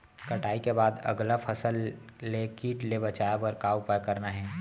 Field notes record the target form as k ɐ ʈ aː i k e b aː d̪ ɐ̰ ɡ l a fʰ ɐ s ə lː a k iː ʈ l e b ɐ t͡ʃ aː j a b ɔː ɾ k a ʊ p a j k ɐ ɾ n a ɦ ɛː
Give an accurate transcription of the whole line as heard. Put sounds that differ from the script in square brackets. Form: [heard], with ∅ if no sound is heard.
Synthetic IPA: k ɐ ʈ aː i k e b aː d̪ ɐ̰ ɡ l a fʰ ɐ s ə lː [e] k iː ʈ l e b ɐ t͡ʃ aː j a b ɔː ɾ k a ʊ p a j k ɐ ɾ n a ɦ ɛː